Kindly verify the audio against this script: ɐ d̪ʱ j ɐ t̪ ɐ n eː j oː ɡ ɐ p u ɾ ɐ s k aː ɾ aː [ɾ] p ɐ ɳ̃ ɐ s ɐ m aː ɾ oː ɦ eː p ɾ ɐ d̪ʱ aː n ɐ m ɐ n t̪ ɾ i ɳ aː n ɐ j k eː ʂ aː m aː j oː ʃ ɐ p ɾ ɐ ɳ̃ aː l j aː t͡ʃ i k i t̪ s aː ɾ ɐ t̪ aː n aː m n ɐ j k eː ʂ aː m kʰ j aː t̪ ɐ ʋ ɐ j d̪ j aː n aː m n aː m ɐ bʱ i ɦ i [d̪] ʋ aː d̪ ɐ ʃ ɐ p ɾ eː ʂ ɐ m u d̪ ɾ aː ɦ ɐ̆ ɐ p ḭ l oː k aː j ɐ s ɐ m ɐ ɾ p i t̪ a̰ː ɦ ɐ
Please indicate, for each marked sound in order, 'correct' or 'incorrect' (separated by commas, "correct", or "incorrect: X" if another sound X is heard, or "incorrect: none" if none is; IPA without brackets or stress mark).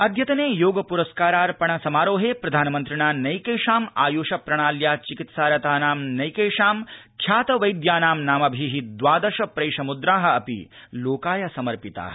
correct, correct